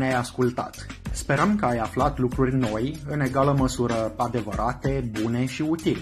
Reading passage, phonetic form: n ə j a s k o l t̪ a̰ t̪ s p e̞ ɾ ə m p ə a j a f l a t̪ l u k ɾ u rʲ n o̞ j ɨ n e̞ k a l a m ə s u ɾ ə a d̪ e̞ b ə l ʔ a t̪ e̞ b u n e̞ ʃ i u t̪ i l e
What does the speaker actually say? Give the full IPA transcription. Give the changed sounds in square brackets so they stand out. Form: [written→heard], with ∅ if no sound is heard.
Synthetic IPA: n [ə→a] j a s k [o→u] l t̪ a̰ t̪ s p e̞ ɾ ə m [p→k] ə a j a f l a t̪ l u k ɾ u rʲ n o̞ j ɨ n e̞ [k→ɡ] a l [a→ə] m ə s u ɾ ə a d̪ e̞ [b→v] ə [l→ɾ] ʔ a t̪ e̞ b u n e̞ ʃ i u t̪ i l e